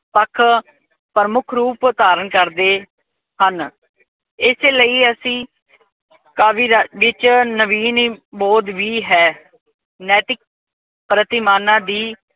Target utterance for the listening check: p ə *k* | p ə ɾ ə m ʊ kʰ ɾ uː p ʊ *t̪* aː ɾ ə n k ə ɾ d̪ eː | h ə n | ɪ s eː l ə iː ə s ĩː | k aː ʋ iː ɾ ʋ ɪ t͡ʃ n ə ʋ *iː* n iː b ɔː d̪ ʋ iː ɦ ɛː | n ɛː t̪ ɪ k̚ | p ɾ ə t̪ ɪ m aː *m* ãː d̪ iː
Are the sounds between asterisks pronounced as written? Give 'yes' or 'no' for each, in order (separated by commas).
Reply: no, yes, yes, no